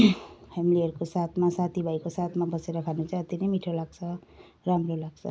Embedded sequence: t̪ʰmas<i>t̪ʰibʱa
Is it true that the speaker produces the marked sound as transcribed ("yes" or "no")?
no